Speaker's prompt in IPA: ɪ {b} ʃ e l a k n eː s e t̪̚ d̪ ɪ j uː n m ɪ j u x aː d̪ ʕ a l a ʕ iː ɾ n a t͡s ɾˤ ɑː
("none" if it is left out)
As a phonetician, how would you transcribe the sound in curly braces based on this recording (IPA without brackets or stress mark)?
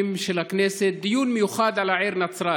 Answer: m